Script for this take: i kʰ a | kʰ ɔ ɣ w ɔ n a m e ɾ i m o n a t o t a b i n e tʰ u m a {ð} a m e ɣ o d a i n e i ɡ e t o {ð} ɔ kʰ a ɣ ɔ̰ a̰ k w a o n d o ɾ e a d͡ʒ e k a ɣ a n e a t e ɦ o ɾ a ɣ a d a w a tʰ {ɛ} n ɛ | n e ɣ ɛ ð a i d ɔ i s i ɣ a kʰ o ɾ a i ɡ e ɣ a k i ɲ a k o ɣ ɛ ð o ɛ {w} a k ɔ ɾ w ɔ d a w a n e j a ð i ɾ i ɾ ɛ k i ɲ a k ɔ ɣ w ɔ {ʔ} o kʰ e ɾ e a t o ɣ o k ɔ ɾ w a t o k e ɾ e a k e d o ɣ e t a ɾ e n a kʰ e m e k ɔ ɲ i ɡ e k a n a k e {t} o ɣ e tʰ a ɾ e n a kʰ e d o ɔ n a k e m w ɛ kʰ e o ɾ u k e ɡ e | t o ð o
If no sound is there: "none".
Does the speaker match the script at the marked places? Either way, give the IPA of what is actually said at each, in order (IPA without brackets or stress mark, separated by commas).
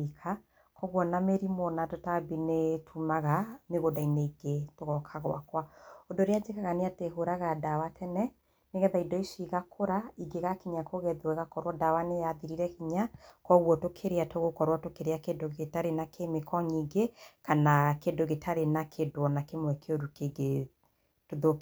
ɣ, ɣ, ɛ, ɣ, t, d